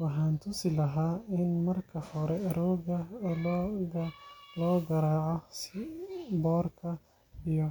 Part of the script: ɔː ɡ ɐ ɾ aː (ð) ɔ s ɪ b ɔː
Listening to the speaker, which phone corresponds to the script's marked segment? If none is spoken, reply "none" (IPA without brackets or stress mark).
ʕ